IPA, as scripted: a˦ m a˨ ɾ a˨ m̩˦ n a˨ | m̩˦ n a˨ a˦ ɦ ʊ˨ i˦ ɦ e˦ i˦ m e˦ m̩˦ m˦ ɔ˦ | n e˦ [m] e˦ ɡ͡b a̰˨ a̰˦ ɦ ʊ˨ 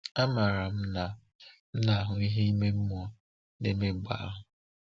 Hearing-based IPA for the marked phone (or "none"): m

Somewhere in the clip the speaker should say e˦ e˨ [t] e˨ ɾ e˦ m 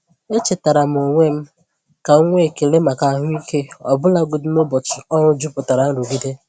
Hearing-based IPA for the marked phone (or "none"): k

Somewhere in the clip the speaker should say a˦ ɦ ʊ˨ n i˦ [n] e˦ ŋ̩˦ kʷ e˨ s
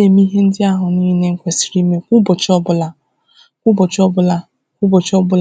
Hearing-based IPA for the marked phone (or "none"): n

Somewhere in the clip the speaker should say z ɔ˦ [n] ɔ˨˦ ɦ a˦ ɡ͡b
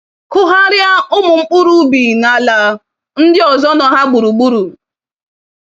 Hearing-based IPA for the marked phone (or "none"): n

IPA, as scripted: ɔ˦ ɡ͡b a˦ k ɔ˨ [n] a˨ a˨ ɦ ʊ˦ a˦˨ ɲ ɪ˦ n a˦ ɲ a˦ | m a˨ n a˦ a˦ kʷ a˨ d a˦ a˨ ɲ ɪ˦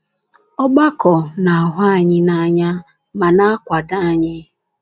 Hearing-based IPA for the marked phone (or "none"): n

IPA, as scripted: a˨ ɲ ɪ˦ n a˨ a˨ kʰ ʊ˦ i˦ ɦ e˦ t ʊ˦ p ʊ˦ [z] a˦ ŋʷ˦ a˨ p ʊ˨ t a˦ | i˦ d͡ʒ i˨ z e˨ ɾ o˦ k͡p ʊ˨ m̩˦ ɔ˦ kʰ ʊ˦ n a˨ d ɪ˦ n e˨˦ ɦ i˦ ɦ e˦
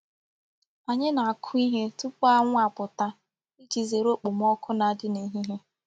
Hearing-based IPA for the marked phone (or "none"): none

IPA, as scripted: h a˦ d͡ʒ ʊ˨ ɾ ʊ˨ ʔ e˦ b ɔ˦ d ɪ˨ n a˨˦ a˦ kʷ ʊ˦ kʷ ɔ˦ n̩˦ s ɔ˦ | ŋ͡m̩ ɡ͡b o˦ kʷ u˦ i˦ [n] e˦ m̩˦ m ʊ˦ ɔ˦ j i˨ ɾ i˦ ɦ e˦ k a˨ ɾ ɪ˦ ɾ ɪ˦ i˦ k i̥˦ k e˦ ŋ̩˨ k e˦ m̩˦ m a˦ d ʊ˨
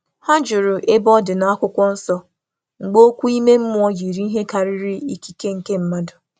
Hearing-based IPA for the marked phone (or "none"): m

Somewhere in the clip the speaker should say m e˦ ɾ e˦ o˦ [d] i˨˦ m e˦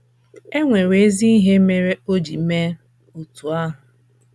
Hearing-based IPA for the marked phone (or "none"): d͡ʒ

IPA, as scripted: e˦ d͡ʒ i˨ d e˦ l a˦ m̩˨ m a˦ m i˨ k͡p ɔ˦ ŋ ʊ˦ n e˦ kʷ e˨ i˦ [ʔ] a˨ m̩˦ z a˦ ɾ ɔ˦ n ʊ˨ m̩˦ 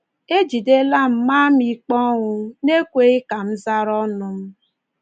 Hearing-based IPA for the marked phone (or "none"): k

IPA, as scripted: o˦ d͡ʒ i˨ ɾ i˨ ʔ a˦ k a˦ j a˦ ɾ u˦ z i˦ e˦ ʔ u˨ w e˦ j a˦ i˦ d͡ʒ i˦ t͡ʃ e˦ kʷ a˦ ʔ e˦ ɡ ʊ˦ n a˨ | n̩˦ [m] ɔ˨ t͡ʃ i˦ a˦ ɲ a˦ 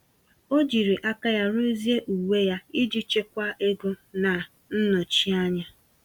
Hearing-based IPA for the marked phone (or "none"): n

